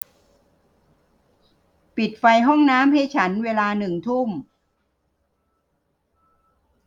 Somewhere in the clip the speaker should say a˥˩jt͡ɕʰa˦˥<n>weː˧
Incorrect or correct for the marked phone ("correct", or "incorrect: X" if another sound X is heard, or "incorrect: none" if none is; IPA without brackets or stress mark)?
correct